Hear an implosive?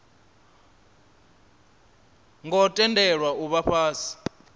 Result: yes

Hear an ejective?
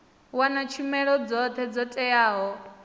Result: yes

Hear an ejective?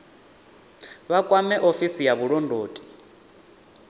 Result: yes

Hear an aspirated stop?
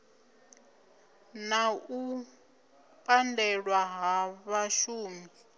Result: no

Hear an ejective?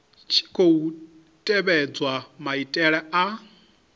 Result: yes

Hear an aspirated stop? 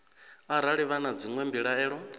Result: no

